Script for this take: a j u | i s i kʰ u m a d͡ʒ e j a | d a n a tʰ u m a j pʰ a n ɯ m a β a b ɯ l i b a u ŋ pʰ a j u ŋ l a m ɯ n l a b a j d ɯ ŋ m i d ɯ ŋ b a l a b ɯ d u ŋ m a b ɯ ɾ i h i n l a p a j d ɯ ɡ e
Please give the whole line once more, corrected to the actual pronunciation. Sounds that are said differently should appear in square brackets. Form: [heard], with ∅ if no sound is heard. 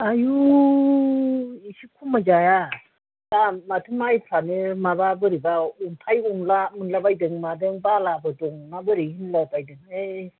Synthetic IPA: a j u | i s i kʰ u m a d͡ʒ [a] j a | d a [m] a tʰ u m a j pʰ a n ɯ m a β a b ɯ [ɾ] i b a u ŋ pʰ a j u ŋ l a m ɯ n l a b a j d ɯ ŋ m [a] d ɯ ŋ b a l a b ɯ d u ŋ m a b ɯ ɾ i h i n l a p a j d ɯ [ŋ] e

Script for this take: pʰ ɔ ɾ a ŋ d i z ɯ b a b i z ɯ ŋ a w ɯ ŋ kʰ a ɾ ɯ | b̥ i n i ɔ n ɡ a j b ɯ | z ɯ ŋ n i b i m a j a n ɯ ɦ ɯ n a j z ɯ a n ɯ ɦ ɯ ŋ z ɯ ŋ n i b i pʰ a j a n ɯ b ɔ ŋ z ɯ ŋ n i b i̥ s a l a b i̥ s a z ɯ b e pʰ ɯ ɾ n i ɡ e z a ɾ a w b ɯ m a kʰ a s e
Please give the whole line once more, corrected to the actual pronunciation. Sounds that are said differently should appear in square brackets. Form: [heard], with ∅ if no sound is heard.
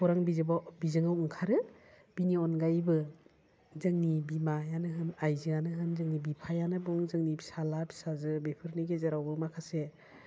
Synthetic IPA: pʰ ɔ ɾ a ŋ [b] i z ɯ b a b i z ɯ ŋ a w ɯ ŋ kʰ a ɾ ɯ | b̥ i n i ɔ n ɡ a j b ɯ | z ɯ ŋ n i b i m a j a n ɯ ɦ ɯ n a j z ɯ a n ɯ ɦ ɯ [n] z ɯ ŋ n i b i pʰ a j a n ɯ b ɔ ŋ z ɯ ŋ n i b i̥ s a l a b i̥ s a z ɯ b e pʰ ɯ ɾ n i ɡ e z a ɾ a w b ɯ m a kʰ a s e

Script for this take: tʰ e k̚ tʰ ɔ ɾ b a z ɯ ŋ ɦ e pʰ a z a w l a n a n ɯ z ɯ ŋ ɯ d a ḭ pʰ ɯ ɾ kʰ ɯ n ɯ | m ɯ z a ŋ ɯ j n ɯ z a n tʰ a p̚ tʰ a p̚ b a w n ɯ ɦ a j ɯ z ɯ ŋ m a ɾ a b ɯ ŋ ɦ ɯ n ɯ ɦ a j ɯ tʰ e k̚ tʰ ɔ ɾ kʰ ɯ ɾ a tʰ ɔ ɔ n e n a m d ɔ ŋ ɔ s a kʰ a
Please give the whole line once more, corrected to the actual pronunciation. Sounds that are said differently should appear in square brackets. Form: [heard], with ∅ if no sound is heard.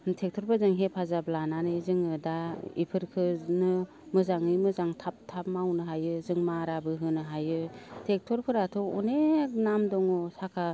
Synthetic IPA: tʰ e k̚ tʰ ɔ ɾ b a z ɯ ŋ ɦ e pʰ a z a [b] l a n a n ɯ z ɯ ŋ ɯ d a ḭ pʰ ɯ ɾ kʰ ɯ n ɯ | m ɯ z a ŋ ɯ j [m] ɯ z a [ŋ] tʰ a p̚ tʰ a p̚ [m] a w n ɯ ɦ a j ɯ z ɯ ŋ m a ɾ a b ɯ [∅] ɦ ɯ n ɯ ɦ a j ɯ tʰ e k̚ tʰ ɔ ɾ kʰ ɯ ɾ a tʰ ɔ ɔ n e n a m d ɔ ŋ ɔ s a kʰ a

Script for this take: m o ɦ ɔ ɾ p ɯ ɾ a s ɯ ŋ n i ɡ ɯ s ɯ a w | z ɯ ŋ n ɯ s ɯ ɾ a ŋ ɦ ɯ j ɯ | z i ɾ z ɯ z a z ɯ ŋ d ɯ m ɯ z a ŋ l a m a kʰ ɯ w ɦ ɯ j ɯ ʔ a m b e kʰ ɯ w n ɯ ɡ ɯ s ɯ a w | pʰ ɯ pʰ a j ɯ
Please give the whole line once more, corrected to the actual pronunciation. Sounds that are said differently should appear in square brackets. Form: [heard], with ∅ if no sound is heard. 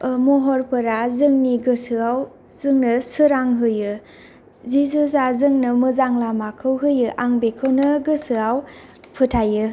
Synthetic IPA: m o ɦ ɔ ɾ p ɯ ɾ a [z] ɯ ŋ n i ɡ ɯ s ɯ a w | z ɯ ŋ n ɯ s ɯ ɾ a ŋ ɦ ɯ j ɯ | z i [∅] z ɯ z a z ɯ ŋ [n] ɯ m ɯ z a ŋ l a m a kʰ ɯ w ɦ ɯ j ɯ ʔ a [ŋ] b e kʰ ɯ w n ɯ ɡ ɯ s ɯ a w | pʰ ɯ [tʰ] a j ɯ

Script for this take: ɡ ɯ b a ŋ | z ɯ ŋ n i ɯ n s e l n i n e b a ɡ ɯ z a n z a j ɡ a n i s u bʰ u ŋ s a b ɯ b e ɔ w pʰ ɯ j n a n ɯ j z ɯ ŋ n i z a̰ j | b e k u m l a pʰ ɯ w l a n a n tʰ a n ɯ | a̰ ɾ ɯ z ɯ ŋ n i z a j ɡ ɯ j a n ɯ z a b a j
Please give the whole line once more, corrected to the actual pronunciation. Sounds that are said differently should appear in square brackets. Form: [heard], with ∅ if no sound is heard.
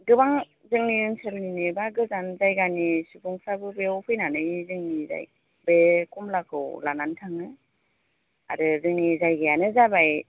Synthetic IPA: ɡ ɯ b a ŋ | z ɯ ŋ n i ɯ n s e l n i n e b a ɡ ɯ z a n z a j ɡ a n i s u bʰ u ŋ s a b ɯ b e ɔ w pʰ ɯ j n a n ɯ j z ɯ ŋ n i z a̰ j | b e k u m l a [kʰ] ɯ w l a n a n tʰ a [ŋ] ɯ | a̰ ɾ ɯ z ɯ ŋ n i z a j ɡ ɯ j a n ɯ z a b a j

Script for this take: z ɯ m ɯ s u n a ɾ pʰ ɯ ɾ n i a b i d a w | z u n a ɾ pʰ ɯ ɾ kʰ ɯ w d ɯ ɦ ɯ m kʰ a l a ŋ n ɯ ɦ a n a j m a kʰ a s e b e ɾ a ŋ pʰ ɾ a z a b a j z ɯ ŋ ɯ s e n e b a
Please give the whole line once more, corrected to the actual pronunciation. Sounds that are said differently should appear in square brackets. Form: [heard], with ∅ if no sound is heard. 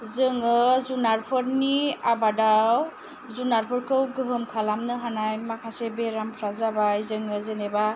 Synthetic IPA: z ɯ [ŋ] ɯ [z] u n a ɾ pʰ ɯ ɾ n i a b [a] d a w | z u n a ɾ pʰ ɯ ɾ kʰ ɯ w [ɡ] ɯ ɦ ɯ m kʰ a l a [m] n ɯ ɦ a n a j m a kʰ a s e b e ɾ a [m] pʰ ɾ a z a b a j z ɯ ŋ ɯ [z] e n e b a

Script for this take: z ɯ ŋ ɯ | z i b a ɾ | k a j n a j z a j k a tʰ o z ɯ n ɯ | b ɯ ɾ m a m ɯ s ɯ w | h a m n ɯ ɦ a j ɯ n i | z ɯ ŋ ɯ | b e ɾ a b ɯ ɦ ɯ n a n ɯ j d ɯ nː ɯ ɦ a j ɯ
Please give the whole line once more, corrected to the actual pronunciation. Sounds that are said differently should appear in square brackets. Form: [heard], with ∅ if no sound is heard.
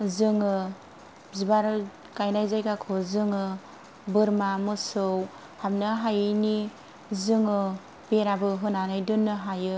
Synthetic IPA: z ɯ ŋ ɯ | z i b a ɾ | k a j n a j z a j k a [kʰ] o z ɯ [ŋ] ɯ | b ɯ ɾ m a m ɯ s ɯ w | h a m n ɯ ɦ a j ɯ n i | z ɯ ŋ ɯ | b e ɾ a b ɯ ɦ ɯ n a n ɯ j d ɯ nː ɯ ɦ a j ɯ

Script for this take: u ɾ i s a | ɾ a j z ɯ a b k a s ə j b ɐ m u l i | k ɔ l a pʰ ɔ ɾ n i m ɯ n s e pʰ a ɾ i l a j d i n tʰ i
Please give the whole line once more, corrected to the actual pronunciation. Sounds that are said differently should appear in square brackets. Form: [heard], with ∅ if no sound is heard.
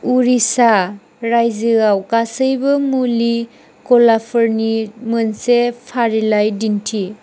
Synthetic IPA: u ɾ i s a | ɾ a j z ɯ a [w] k a s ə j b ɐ m u l i | k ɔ l a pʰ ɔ ɾ n i m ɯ n s e pʰ a ɾ i l a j d i n tʰ i

